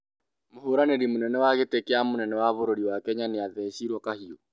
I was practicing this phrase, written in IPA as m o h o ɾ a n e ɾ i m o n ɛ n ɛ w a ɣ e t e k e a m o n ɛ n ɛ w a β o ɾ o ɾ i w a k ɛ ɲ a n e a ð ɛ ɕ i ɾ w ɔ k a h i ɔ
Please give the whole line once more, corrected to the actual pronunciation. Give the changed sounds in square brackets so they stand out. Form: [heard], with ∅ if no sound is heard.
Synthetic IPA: m o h o ɾ a n e ɾ i m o n ɛ n ɛ w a ɣ e t e k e a m o n ɛ n ɛ w a β o ɾ o ɾ i w a k ɛ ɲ a n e a ð ɛ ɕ i ɾ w ɔ k a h i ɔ

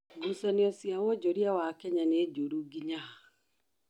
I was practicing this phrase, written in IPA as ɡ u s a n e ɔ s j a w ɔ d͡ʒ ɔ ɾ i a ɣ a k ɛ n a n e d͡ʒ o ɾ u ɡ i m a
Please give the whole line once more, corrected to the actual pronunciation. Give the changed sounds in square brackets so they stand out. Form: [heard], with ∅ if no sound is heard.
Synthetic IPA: ɡ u s a n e ɔ s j a w ɔ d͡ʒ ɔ ɾ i a [w] a k ɛ [ɲ] a n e d͡ʒ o ɾ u ɡ i [ɲ] a

